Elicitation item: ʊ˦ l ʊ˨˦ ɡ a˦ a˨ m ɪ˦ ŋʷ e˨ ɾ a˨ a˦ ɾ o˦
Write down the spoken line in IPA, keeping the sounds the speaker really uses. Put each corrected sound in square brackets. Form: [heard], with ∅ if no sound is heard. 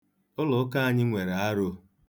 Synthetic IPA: ʊ˦ l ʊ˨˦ [k] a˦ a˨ [ɲ] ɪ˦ ŋʷ e˨ ɾ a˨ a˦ ɾ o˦